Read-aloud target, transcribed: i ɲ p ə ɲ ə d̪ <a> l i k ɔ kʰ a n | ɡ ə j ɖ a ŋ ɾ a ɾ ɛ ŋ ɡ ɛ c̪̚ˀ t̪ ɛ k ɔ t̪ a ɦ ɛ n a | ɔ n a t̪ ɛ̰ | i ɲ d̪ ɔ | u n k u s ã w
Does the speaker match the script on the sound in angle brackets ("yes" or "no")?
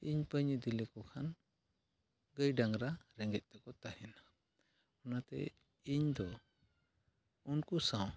no